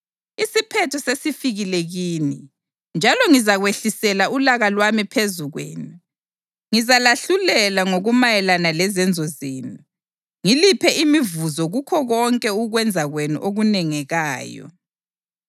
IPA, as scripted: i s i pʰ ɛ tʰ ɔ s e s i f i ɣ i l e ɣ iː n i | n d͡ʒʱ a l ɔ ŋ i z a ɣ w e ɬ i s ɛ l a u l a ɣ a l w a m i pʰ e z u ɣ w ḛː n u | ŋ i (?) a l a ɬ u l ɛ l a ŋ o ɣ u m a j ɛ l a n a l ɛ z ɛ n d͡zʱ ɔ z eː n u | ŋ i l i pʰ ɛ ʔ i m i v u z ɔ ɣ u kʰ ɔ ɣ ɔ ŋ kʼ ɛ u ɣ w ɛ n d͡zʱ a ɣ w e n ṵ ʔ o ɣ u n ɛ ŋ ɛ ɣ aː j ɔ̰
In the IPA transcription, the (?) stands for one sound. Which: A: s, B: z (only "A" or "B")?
B